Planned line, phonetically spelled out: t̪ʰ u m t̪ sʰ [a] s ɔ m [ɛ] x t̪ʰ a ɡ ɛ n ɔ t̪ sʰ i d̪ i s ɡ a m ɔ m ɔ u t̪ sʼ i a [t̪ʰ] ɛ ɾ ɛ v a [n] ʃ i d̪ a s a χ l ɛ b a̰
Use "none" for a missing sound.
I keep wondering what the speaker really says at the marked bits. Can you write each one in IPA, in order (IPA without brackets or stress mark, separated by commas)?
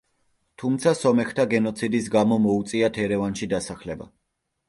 a, ɛ, t̪ʰ, n